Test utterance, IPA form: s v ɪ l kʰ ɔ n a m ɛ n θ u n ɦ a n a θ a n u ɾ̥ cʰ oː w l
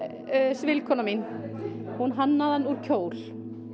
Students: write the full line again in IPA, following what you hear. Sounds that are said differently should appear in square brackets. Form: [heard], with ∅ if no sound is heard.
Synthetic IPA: s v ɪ l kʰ ɔ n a m [i] n [h] u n ɦ a [nː] a [ð] a n u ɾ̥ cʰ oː w l